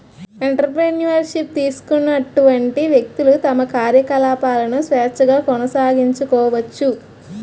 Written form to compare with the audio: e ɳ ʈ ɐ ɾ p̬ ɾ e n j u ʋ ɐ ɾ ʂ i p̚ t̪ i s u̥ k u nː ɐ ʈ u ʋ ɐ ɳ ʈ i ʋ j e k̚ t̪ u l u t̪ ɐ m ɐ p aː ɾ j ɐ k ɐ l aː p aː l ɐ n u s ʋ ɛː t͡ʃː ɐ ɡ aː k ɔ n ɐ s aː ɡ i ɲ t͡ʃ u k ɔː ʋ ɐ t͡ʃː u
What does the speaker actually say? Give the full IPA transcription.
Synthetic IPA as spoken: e ɳ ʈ ɐ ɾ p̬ ɾ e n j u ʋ ɐ ɾ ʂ i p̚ t̪ iː s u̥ k u nː ɐ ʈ u ʋ ɐ ɳ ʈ i ʋ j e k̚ t̪ u l u t̪ ɐ m ɐ k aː ɾ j ɐ k ɐ l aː p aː l ɐ n u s ʋ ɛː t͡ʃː ɐ ɡ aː k ɔ n ɐ s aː ɡ i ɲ t͡ʃ u k ɔː ʋ ɐ t͡ʃː u